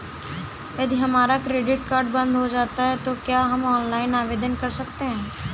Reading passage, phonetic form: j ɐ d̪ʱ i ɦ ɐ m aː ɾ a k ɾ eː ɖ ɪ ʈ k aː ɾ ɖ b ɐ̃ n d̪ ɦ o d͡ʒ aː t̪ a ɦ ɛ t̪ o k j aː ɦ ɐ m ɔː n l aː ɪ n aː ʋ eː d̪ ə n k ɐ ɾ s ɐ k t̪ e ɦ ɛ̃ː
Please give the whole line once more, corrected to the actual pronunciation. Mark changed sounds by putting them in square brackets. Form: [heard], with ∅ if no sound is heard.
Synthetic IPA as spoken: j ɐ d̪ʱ i ɦ ɐ m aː ɾ a k ɾ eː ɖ ɪ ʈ k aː ɾ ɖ b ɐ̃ n d̪ ɦ o d͡ʒ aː t̪ a ɦ ɛ t̪ o k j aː ɦ ɐ m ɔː n l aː ɪ n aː ʋ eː d̪ ə n k ɐ ɾ s ɐ k t̪ e ɦ ɛ̃ː